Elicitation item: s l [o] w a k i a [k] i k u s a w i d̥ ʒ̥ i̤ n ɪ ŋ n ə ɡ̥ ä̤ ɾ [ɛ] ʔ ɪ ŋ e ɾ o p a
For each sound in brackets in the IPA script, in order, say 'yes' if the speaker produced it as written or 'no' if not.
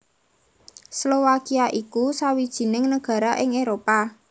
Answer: yes, no, no

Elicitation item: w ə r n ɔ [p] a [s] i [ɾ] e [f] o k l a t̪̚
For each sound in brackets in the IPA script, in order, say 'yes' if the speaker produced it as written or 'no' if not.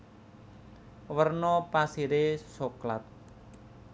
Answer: yes, yes, yes, no

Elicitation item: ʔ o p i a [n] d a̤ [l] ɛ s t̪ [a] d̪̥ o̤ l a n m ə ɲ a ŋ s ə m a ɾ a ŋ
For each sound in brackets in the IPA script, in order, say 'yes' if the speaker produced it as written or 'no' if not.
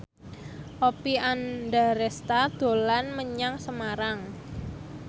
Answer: yes, no, yes

